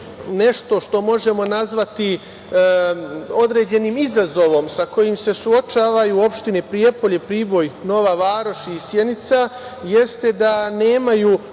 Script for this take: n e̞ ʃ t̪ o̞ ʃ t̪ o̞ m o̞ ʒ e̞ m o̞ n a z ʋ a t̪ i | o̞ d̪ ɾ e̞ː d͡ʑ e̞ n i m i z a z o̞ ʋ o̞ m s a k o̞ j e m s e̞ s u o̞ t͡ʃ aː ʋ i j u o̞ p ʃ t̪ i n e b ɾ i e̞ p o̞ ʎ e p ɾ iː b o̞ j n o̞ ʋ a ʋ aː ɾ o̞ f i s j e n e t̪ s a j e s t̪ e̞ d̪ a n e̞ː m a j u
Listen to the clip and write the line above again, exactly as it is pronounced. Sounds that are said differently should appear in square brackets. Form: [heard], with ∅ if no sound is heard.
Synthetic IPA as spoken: n e̞ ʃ t̪ o̞ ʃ t̪ o̞ m o̞ ʒ e̞ m o̞ n a z ʋ a t̪ i | o̞ d̪ ɾ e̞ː d͡ʑ e̞ n i m i z a z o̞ ʋ o̞ m s a k o̞ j [i] m s e̞ s u o̞ t͡ʃ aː ʋ [a] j u o̞ p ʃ t̪ i n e [p] ɾ i e̞ p o̞ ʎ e p ɾ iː b o̞ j n o̞ ʋ a ʋ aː ɾ o̞ [ʃ] i s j e n [i] t̪ s a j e s t̪ e̞ d̪ a n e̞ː m a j u